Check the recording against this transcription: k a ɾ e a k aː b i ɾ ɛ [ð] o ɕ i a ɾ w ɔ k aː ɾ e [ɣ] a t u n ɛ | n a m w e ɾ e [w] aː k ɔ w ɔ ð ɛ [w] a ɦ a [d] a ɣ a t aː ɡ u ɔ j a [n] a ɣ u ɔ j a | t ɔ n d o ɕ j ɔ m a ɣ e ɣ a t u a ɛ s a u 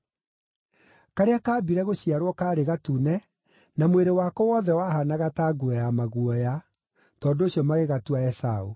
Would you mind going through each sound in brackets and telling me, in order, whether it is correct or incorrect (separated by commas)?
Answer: incorrect, correct, correct, correct, incorrect, incorrect